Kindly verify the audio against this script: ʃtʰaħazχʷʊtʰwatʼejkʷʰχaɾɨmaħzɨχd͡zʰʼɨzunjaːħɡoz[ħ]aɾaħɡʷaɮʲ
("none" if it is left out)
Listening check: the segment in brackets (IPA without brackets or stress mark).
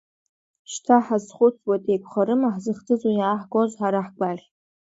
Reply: ħ